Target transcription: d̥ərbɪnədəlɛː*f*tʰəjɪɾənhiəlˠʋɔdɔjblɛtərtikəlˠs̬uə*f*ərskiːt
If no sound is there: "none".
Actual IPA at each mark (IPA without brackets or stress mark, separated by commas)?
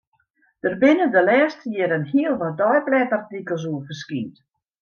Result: s, f